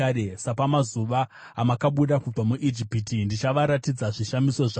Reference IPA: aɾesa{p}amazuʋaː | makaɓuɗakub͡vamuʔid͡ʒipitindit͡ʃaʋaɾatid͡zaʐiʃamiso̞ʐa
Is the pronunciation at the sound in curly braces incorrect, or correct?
correct